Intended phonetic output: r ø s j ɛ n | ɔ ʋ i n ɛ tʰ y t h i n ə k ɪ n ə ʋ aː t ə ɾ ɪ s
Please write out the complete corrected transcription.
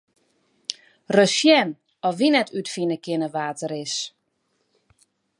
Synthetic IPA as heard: r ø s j ɛ n | ɔ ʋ i n ɛ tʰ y t f i n ə k ɪ n ə ʋ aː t ə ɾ ɪ s

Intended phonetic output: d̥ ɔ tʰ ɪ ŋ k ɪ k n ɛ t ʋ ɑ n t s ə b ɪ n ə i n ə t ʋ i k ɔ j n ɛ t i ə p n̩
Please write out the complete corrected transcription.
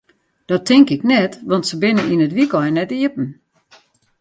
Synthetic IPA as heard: d̥ ɔ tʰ ɪ ŋ k ɪ k n ɛ t ʋ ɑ n t s ə b ɪ n ə i n ə t ʋ i k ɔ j n ɛ t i ə p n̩

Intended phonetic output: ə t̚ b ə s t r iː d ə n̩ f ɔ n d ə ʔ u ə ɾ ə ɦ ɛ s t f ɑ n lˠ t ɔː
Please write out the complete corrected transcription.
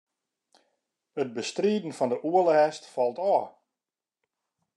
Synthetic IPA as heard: ə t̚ b ə s t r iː d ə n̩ f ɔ n d ə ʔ u ə l ə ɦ ɛ s t f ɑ lˠ t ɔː

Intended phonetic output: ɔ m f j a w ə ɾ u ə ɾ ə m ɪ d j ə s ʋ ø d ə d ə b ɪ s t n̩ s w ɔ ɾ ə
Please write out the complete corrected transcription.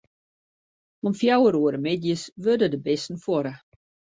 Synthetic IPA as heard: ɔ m f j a w ə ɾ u ə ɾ ə m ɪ d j ə s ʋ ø d ə d ə b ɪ s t n̩ f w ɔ ɾ ə

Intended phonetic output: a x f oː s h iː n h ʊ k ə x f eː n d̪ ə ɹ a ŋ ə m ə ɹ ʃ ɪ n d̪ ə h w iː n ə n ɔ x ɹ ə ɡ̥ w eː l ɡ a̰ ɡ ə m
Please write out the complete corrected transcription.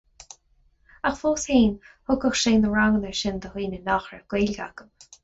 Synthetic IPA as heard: a x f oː s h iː n h ʊ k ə x ʃ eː n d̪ ə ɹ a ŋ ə n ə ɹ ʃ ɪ n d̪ ə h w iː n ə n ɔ x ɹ ə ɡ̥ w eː l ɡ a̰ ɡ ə m

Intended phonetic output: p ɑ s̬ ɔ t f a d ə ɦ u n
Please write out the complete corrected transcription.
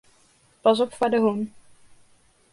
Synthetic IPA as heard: p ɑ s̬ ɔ p f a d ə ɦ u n

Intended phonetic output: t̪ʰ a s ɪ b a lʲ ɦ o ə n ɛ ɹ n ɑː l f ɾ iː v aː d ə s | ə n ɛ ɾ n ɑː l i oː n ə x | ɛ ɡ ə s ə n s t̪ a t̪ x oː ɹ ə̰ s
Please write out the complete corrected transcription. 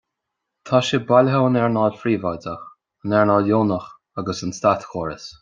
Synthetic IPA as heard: t̪ʰ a ʃ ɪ b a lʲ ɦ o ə n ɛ ɹ n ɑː l f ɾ iː v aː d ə x | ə n ɛ ɹ n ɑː l j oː n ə x | a ɡ ə s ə n s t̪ a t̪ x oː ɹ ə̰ s

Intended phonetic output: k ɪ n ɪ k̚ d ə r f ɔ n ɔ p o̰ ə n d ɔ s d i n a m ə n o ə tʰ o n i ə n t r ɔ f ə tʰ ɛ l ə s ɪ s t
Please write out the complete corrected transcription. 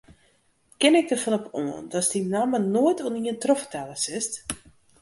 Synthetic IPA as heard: k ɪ n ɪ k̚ d ə r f ɔ n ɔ p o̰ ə n d ɔ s d i n a m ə n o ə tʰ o n i ə n t r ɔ f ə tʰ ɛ l ə s ɪ s t

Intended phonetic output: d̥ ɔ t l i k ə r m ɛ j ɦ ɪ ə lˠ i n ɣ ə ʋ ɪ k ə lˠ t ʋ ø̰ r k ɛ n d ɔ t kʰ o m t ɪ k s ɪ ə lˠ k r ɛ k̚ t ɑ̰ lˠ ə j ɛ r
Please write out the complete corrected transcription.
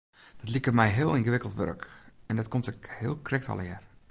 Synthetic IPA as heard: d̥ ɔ t l i k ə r m ɛ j ɦ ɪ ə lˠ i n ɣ ə ʋ ɪ k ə lˠ t ʋ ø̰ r k ɛ n d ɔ t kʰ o m t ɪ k h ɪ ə lˠ k r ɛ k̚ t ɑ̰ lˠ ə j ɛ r

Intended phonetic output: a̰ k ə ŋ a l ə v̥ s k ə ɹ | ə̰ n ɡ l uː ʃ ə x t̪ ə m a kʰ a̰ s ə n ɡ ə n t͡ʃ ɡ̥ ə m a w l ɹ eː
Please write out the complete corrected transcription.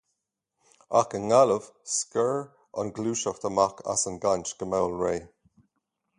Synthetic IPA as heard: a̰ k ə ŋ a l ə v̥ s k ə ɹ | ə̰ n ɡ l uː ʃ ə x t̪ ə m a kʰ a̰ s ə n ɡ a n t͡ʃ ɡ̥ ə m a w l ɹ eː

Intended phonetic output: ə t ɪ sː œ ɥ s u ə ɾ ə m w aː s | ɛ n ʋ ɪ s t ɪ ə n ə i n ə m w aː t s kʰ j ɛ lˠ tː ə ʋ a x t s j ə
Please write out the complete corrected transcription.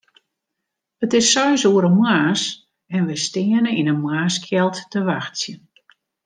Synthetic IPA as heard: ə t ɪ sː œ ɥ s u ə ɾ ə m w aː s | ɛ n ʋ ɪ s t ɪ ə n ə i n ə m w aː s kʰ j ɛ lˠ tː ə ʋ a x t s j ə

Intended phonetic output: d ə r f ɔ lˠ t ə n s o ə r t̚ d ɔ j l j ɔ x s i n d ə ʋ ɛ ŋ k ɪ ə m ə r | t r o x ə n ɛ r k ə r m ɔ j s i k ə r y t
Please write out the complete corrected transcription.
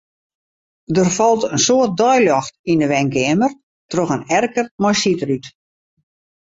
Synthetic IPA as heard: d ə r f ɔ lˠ t ə n s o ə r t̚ d ɔ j l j ɔ x t i n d ə ʋ ɛ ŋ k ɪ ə m ə r | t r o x ə n ɛ r k ə r m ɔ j s i t ə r y t

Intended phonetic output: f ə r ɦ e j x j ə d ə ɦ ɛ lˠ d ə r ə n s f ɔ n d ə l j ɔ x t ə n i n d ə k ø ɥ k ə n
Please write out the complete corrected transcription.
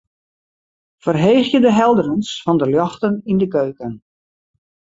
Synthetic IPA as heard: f ə r ɦ e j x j ə d ə ɦ ɛ lˠ d ə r ə n s f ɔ n d ə l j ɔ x t ə n i n d ə k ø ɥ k ə n

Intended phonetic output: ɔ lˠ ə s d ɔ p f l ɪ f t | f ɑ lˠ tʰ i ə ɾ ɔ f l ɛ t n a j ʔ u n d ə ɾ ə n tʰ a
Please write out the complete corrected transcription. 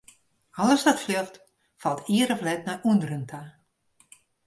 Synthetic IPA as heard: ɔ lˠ ə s d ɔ t f l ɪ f t | f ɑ lˠ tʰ i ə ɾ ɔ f l ɛ t n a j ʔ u n d ə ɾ ə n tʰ a

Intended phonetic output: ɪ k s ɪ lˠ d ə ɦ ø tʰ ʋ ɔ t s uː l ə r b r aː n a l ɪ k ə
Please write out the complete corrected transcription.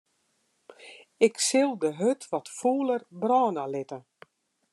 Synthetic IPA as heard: ɪ k s ɪ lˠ d ə ɦ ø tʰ ʋ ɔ t f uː l ə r b r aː n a l ɪ t ə

